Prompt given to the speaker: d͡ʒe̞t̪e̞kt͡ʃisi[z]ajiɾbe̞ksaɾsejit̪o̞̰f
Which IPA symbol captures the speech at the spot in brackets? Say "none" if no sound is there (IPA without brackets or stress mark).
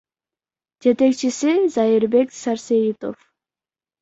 z